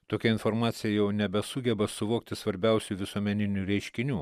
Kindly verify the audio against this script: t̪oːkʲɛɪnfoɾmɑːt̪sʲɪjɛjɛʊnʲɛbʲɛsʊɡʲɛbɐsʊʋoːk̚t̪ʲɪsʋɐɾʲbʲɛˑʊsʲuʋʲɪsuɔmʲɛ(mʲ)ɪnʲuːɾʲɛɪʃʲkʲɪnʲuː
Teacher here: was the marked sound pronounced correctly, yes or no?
no